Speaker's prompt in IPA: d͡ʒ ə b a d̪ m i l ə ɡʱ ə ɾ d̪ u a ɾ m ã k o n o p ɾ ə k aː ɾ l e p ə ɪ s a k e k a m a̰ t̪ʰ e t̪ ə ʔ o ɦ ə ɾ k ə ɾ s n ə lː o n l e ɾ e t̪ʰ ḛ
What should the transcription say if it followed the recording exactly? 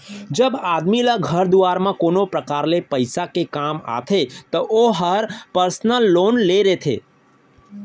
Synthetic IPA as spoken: d͡ʒ ə b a d̪ m i l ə ɡʱ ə ɾ d̪ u a ɾ m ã k o n o p ɾ ə k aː ɾ l e p ə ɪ s a k e k a m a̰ t̪ʰ e t̪ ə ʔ o ɦ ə ɾ p ə ɾ s n ə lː o n l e ɾ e t̪ʰ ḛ